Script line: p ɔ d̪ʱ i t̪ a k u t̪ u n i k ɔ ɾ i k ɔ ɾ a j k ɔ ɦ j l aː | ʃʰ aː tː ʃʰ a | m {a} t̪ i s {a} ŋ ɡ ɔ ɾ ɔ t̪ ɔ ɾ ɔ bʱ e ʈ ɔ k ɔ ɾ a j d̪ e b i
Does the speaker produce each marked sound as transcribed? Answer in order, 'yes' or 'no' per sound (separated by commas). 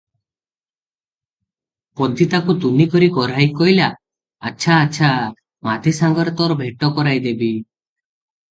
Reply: yes, yes